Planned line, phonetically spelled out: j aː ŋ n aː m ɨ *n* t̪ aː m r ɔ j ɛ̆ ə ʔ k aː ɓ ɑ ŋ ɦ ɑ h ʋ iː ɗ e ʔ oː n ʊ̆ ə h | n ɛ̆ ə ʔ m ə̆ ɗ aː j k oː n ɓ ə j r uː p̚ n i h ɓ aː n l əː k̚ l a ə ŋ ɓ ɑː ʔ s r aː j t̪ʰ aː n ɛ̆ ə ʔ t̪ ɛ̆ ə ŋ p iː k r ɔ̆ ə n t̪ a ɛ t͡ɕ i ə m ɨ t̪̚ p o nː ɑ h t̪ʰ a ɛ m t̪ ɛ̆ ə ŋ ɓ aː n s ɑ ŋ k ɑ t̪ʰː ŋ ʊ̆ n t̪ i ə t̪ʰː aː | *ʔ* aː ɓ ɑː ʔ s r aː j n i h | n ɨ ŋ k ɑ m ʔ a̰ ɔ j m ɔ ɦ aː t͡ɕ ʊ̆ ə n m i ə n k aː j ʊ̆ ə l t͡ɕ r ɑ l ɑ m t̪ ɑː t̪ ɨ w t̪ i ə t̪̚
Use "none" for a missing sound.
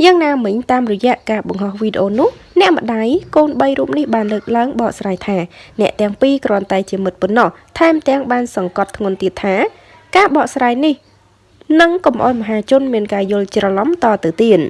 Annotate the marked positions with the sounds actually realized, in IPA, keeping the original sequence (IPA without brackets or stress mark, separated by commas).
ɲ, k